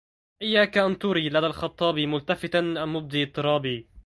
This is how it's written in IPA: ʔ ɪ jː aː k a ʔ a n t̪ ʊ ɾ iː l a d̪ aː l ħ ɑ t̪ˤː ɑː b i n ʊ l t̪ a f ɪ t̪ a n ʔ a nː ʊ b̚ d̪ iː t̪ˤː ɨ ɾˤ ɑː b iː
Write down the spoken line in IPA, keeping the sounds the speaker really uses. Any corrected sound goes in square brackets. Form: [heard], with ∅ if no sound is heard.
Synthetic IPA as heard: ʔ ɪ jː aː k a ʔ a n t̪ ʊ ɾ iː l a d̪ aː l [x] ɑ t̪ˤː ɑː b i [m] ʊ l t̪ a f ɪ t̪ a n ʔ a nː ʊ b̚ d̪ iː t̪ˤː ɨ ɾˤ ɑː b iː